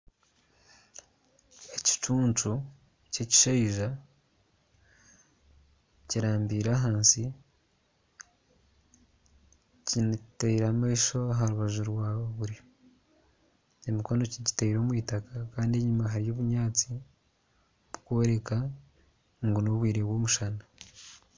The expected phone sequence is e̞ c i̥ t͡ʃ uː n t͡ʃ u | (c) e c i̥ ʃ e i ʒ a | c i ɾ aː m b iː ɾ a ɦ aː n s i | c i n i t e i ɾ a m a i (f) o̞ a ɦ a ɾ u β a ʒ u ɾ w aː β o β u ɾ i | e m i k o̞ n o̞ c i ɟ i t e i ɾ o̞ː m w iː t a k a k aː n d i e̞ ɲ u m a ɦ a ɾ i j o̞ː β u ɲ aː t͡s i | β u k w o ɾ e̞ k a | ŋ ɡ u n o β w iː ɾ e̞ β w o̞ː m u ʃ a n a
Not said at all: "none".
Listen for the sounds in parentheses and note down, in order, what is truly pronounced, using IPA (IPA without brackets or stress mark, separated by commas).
c, ʃ